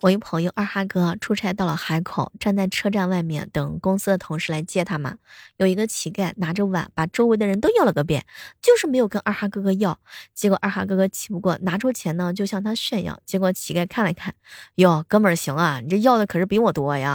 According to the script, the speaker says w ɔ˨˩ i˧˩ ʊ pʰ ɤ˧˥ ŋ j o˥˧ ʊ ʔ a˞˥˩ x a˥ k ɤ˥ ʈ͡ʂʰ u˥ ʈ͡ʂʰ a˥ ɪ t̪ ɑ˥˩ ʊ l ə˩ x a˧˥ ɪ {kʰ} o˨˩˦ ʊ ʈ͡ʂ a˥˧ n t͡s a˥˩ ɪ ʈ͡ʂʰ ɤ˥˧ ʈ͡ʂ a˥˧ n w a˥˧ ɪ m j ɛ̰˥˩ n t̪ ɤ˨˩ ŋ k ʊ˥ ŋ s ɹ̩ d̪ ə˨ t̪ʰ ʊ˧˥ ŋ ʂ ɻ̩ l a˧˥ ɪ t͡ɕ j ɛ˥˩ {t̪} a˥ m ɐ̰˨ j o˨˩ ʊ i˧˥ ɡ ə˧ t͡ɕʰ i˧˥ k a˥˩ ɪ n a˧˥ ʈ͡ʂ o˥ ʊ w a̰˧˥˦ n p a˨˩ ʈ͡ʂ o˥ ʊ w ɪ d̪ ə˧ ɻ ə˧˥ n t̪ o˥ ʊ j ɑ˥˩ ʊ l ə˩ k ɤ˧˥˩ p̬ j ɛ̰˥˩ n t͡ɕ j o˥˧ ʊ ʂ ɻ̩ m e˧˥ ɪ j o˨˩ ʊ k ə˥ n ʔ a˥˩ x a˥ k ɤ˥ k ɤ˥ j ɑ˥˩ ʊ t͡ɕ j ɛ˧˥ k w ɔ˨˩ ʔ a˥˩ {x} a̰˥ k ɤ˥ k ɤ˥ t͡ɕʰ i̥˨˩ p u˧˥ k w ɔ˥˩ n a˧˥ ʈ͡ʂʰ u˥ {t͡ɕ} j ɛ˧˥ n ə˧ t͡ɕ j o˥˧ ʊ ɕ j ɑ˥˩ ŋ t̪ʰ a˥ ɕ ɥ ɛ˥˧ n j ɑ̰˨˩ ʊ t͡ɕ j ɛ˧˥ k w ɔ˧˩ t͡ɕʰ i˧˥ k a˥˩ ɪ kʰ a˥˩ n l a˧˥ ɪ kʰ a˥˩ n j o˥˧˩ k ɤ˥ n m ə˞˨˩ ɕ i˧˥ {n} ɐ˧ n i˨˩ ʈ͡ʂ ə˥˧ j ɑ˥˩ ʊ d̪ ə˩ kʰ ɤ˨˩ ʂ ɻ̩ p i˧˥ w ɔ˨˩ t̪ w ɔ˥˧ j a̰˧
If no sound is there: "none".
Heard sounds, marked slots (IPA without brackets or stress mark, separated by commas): kʰ, t̪ʰ, x, t͡ɕʰ, ŋ